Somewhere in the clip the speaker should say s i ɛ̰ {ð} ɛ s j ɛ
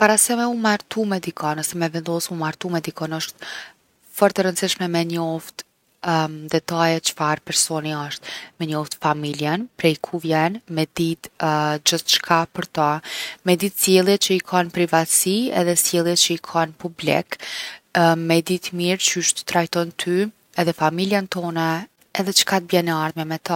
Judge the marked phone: correct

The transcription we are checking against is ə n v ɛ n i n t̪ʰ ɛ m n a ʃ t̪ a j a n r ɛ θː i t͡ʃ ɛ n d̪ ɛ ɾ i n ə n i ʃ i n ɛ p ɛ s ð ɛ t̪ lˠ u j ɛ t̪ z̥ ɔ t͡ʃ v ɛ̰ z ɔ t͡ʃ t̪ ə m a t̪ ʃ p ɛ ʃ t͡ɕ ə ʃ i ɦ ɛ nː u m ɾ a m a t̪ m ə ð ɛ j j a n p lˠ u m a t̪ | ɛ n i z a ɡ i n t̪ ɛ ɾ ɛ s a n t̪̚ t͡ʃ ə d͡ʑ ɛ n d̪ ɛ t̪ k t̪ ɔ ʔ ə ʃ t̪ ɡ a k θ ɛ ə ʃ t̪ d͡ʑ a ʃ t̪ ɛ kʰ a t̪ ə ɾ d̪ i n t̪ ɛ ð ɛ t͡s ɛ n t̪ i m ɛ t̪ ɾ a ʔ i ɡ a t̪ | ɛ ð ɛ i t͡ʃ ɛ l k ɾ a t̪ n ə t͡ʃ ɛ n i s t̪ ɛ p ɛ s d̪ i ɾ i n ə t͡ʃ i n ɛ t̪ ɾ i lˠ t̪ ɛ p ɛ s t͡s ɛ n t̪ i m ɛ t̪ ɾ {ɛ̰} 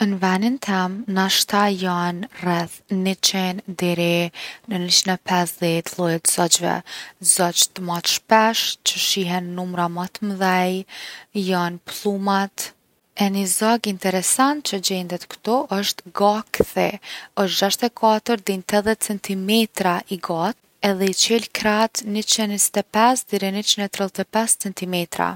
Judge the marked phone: incorrect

